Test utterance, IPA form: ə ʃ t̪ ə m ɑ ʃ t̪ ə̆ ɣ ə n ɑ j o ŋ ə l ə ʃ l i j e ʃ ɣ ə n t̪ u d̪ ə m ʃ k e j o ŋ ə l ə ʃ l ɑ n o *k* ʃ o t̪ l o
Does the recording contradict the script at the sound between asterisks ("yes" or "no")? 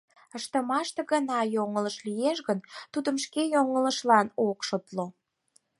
no